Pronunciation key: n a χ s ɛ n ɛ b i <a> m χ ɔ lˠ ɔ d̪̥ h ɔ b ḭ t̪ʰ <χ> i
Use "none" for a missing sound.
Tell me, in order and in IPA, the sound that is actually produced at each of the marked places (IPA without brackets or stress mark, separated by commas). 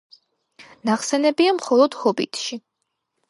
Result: a, ʃ